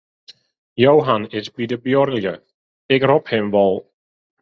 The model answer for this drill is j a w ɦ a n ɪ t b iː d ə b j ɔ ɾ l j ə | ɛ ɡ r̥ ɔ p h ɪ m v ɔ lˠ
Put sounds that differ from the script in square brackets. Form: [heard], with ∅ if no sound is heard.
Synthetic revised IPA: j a w ɦ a n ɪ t b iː d ə b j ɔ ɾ l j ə | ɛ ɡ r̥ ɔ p h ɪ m v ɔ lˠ